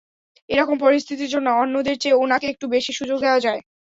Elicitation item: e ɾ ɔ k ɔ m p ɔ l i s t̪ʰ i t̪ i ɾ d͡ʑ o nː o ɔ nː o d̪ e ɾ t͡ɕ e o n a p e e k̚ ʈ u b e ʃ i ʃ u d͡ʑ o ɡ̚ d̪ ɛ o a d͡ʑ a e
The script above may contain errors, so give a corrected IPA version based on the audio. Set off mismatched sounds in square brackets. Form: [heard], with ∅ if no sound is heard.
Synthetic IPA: e ɾ ɔ k [o] m p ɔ [ɾ] i s t̪ʰ i t̪ i ɾ d͡ʑ o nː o ɔ nː o d̪ e ɾ t͡ɕ e o n a [k] e e k̚ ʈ u b e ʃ i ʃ u d͡ʑ o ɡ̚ d̪ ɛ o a d͡ʑ a e